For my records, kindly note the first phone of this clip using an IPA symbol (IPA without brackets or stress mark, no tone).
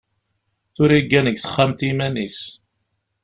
θ